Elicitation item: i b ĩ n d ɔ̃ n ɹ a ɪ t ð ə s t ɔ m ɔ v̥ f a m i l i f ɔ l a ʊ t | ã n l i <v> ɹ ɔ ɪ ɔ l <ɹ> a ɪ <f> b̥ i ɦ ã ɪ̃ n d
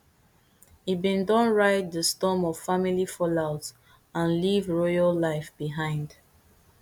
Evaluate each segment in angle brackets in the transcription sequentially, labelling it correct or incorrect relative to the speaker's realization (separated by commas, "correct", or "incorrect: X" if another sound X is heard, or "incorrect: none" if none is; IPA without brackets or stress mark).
correct, incorrect: l, correct